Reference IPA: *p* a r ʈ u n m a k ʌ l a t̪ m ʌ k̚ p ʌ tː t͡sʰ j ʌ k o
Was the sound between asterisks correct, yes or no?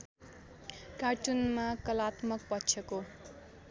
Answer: no